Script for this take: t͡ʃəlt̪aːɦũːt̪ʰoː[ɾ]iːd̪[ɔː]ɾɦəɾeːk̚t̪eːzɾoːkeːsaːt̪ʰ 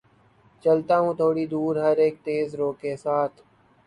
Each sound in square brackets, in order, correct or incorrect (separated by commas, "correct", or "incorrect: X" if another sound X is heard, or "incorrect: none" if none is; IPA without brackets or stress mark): incorrect: ɽ, incorrect: uː